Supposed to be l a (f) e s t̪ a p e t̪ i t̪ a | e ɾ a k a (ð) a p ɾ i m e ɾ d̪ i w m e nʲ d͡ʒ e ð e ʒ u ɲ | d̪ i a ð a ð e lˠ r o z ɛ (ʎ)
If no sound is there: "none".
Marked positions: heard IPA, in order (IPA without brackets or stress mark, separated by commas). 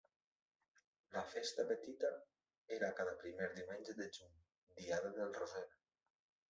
f, ð, ɾ